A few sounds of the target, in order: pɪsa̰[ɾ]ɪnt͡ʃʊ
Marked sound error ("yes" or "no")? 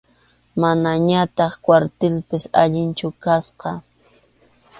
yes